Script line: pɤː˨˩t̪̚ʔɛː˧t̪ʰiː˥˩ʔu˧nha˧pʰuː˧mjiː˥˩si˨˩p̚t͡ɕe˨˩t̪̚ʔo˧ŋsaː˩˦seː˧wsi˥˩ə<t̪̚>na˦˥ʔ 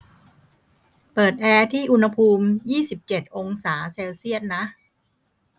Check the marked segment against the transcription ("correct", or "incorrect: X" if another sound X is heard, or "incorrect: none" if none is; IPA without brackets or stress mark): correct